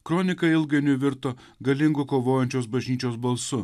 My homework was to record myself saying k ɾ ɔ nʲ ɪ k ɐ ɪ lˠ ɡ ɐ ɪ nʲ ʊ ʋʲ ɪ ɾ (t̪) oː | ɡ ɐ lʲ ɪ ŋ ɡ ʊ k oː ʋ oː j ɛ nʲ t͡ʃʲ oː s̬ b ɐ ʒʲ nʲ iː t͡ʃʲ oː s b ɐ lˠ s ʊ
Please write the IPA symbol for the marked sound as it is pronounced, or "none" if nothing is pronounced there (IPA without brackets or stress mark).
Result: t̪